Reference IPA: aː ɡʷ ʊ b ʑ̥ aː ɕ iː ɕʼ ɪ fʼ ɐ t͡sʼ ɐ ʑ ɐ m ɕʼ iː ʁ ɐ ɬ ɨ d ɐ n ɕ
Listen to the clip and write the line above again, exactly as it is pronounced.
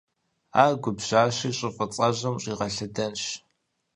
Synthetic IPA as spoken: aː ɡʷ ʊ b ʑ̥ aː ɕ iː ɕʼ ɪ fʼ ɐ t͡sʼ ɐ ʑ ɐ m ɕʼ iː ʁ ɐ ɬ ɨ d ɐ n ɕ